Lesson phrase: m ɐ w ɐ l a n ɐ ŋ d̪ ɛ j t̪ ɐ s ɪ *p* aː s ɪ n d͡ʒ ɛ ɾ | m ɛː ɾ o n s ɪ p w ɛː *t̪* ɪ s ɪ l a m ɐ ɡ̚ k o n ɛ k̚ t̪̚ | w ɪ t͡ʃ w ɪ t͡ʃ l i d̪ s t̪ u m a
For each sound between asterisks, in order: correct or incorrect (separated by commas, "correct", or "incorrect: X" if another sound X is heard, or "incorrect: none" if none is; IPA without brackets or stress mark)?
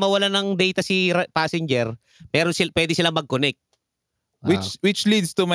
correct, incorrect: d̪